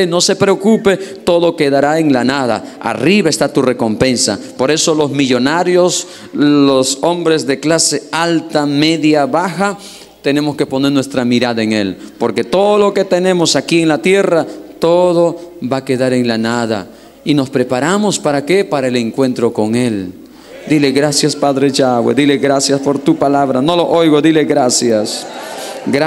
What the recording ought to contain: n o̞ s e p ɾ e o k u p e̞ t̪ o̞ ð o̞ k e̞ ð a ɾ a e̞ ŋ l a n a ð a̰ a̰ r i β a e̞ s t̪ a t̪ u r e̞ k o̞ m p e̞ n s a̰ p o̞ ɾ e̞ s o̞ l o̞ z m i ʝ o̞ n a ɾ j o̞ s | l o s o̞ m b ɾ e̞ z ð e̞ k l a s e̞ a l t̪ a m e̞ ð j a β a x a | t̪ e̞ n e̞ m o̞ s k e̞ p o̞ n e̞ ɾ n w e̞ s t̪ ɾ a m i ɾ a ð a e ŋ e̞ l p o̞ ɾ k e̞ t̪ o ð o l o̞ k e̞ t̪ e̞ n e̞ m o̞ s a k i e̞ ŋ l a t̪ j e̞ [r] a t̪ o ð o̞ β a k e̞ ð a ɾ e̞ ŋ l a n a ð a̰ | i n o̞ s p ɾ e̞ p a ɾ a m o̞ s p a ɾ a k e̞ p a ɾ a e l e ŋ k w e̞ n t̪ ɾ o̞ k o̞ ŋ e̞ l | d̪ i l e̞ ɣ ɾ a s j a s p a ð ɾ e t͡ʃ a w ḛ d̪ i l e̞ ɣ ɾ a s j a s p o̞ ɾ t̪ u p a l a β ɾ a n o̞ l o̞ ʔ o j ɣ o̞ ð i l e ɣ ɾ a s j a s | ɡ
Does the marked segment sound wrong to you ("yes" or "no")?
no